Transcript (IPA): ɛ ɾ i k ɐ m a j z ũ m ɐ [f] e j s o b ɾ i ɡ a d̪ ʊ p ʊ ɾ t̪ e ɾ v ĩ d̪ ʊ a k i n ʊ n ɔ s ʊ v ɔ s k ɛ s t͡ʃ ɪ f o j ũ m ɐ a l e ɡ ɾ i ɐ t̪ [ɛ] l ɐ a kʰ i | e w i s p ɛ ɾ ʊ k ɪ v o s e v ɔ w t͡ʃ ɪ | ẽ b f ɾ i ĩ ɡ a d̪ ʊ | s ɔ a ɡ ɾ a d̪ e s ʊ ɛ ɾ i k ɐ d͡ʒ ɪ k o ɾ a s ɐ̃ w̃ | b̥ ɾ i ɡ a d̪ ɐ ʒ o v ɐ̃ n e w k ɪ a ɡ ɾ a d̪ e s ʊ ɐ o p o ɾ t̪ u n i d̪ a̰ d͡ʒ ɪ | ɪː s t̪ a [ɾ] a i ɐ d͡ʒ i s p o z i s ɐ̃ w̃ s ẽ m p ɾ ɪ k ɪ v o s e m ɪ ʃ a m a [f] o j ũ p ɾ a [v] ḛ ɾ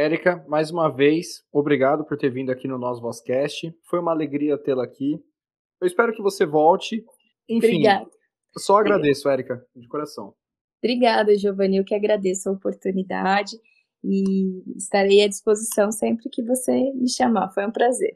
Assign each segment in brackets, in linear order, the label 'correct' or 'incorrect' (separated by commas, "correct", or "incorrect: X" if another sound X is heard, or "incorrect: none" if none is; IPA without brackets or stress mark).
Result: incorrect: v, incorrect: e, correct, correct, incorrect: z